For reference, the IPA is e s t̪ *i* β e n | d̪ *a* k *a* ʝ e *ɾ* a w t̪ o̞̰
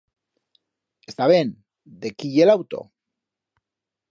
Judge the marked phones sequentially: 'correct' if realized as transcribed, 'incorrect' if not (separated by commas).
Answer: incorrect, incorrect, incorrect, incorrect